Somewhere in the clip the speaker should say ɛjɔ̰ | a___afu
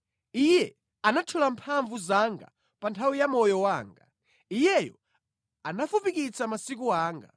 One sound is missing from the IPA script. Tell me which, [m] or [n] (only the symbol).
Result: n